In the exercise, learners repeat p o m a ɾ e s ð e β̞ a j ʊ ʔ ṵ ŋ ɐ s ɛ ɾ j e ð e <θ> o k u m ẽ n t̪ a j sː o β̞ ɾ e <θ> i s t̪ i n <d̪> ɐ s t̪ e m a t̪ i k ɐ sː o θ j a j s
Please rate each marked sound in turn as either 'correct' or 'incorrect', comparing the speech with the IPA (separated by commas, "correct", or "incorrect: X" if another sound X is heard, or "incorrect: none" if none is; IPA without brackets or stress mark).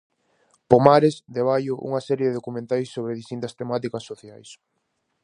incorrect: ð, incorrect: ð, incorrect: t̪